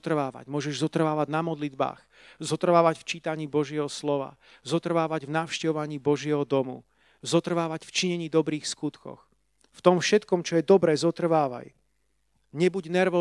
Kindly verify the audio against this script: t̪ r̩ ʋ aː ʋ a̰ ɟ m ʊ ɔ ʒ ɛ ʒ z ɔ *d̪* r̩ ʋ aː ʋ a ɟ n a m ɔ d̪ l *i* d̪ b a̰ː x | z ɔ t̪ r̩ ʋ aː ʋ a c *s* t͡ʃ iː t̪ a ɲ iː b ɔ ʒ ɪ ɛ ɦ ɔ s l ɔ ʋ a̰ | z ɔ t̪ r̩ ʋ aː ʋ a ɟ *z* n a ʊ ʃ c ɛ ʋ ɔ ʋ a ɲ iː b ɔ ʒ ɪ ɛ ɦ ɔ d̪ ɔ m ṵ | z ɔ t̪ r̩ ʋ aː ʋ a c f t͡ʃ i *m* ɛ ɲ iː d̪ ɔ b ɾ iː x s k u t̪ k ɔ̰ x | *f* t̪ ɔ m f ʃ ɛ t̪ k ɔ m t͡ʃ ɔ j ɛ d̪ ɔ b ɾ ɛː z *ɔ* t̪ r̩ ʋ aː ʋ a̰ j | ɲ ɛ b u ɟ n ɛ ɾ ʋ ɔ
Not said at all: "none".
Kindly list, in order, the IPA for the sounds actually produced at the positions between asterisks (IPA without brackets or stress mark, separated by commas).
t̪, i, f, v, ɲ, f, ɔ